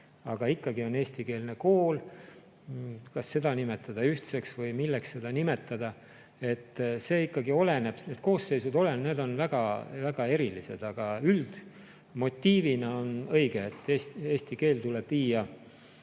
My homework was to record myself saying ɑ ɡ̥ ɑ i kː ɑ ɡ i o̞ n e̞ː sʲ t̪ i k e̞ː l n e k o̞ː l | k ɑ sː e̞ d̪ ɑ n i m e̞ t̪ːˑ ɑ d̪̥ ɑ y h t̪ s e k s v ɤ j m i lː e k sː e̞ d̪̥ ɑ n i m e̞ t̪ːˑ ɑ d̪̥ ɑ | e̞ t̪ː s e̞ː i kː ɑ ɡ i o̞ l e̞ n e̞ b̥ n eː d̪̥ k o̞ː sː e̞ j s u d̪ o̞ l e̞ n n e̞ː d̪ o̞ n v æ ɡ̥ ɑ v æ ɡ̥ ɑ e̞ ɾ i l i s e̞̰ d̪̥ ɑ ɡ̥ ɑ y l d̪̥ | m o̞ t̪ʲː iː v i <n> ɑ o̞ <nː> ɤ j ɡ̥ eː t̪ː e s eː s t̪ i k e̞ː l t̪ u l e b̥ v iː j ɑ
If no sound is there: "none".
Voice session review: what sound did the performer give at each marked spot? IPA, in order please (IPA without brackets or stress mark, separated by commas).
n, n